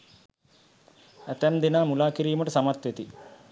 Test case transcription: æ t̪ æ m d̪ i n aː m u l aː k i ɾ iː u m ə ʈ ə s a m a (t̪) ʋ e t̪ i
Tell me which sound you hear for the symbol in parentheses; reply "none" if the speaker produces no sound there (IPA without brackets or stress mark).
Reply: t̪